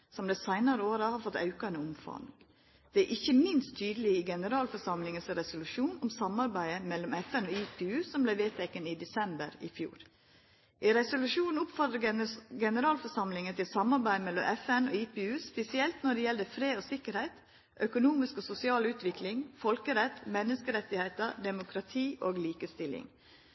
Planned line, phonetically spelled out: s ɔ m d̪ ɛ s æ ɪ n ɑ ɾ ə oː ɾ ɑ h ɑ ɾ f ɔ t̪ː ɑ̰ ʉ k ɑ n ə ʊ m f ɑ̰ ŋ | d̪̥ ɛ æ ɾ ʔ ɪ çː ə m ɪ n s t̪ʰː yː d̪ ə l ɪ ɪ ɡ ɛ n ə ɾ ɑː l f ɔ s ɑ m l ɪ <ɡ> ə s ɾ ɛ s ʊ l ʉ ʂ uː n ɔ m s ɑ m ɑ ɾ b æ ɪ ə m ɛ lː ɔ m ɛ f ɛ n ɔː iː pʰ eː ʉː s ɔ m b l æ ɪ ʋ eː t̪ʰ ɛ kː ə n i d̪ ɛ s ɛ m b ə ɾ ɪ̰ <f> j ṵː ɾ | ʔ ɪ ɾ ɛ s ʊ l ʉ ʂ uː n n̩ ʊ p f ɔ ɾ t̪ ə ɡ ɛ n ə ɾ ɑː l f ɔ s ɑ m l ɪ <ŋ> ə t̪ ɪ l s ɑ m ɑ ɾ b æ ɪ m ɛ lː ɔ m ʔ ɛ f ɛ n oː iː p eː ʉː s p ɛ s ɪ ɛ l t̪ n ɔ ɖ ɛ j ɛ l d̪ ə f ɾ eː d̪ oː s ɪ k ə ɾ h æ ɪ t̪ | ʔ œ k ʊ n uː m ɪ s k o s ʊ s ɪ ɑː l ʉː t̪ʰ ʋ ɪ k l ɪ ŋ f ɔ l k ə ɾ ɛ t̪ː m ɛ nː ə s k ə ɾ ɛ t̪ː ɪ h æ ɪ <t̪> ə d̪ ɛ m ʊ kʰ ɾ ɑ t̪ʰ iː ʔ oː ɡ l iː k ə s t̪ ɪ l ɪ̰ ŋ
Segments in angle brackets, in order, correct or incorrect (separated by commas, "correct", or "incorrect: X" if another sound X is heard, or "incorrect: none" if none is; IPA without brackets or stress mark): incorrect: ŋ, correct, correct, correct